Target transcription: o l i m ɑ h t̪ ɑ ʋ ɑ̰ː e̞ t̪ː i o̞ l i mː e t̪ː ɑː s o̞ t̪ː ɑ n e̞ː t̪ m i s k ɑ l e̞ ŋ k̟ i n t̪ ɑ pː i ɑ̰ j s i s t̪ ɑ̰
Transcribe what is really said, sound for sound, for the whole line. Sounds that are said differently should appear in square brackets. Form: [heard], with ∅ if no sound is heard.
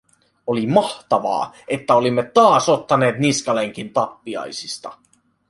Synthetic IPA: o l i m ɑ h t̪ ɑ ʋ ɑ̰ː e̞ t̪ː [æ] o̞ l i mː e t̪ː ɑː s o̞ t̪ː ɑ n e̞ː t̪ [n] i s k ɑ l e̞ ŋ k̟ i n t̪ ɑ pː i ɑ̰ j s i s t̪ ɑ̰